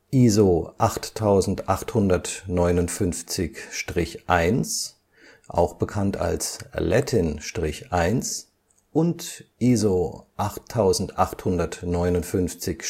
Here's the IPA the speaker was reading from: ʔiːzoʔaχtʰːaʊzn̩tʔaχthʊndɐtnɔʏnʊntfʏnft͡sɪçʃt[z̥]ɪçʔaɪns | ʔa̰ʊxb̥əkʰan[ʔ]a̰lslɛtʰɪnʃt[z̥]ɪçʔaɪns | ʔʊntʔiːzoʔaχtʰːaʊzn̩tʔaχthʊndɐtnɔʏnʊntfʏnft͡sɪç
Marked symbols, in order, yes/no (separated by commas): no, no, no